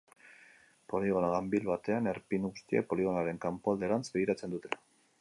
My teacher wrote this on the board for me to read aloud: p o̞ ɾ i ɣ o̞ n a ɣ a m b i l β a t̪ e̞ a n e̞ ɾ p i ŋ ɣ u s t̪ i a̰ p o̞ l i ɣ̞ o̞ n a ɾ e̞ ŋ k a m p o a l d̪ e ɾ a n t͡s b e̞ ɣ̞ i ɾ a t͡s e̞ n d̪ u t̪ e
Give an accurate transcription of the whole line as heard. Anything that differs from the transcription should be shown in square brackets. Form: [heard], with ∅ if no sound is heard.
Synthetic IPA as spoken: p o̞ [l] i ɣ o̞ n a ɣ a m b i l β a t̪ e̞ a n e̞ ɾ p i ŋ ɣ u s t̪ i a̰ p o̞ l i ɣ̞ o̞ n a ɾ e̞ ŋ k a m p o a l d̪ e ɾ a n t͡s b e̞ ɣ̞ i ɾ a t͡s e̞ n d̪ u t̪ e